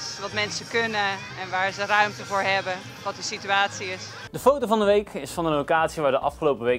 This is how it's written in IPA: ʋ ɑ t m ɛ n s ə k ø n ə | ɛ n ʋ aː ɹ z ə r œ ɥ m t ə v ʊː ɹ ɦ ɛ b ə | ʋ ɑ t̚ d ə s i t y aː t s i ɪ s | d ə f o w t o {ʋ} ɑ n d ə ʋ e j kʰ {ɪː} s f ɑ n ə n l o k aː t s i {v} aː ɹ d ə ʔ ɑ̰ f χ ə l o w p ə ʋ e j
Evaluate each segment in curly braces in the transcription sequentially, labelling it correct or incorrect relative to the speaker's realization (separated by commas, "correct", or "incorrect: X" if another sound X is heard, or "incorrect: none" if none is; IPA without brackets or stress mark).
incorrect: v, incorrect: ɪ, incorrect: ʋ